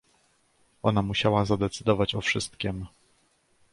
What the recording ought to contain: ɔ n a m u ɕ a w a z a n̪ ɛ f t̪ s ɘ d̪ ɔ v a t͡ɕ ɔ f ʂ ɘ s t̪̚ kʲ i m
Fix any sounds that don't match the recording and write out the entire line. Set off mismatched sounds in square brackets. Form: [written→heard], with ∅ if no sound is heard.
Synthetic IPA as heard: ɔ n a m u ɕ a w a z a [n̪→d̪] ɛ [f→∅] t̪ s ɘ d̪ ɔ v a t͡ɕ ɔ f ʂ ɘ s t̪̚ kʲ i m